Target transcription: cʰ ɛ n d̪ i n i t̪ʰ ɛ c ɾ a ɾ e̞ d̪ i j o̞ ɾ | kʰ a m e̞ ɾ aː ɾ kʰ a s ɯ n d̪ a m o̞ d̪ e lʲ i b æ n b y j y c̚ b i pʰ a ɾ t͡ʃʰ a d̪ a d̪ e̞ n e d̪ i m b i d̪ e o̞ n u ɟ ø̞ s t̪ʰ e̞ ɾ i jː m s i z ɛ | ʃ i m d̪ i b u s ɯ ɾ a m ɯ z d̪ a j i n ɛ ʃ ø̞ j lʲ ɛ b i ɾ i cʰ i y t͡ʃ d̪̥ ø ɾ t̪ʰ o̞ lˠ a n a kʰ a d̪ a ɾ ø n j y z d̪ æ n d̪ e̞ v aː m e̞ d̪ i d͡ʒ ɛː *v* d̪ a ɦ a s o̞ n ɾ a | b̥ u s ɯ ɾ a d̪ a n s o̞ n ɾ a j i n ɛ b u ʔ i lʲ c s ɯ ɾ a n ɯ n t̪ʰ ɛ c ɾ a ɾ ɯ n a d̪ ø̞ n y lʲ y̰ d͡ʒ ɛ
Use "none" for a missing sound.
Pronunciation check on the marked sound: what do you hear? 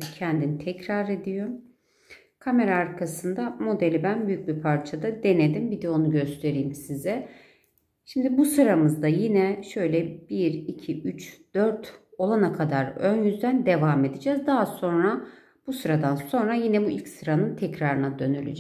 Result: z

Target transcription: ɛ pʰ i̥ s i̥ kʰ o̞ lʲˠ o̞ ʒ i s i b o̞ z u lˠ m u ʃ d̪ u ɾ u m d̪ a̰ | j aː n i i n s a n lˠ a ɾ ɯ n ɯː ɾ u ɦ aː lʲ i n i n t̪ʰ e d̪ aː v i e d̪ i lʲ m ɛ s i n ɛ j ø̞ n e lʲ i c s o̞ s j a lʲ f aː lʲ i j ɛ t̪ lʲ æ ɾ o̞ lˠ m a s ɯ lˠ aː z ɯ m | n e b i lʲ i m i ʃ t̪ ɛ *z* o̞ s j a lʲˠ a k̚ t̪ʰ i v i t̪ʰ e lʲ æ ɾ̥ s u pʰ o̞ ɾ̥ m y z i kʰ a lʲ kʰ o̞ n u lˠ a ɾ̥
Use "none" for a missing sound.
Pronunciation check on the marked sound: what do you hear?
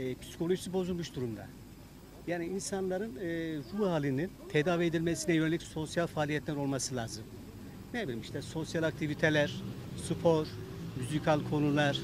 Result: s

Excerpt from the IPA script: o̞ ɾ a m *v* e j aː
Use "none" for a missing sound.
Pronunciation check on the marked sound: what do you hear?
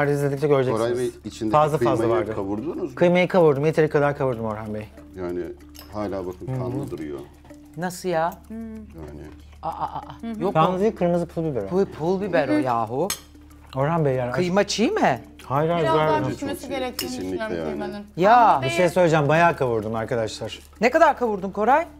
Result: b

